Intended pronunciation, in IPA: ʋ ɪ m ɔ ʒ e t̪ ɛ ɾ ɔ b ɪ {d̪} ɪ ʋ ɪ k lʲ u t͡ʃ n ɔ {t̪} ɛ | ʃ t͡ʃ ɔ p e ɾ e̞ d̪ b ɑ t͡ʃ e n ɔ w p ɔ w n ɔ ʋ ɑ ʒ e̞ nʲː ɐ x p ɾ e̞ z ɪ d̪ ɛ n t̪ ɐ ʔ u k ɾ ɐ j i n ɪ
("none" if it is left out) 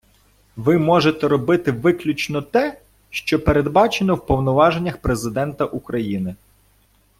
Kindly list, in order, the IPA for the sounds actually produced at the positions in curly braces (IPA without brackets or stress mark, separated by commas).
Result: t̪, t̪